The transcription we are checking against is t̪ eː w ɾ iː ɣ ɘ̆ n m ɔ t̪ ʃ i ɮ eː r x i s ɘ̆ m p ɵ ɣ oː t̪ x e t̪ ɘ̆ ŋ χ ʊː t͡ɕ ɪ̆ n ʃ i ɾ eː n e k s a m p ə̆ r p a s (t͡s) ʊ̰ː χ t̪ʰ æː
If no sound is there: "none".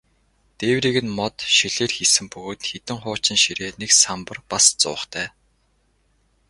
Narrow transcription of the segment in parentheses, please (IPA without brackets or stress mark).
t͡s